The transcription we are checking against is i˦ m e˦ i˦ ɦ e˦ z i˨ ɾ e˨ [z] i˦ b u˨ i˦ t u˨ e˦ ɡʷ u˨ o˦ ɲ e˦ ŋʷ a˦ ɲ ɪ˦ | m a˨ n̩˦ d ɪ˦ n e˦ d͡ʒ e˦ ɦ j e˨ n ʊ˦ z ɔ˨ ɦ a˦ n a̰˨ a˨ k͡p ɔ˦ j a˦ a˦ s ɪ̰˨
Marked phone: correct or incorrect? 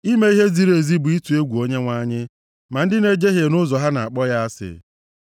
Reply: correct